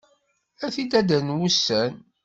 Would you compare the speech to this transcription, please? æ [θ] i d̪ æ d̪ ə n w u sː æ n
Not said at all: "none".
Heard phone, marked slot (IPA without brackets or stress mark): θ